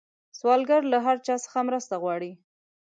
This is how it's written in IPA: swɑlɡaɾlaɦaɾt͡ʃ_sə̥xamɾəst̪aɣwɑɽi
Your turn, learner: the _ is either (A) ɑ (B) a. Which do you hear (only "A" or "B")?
A